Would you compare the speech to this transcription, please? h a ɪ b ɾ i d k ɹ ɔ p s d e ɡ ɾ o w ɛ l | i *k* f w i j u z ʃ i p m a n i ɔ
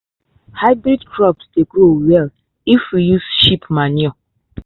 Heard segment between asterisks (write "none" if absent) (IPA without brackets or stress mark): none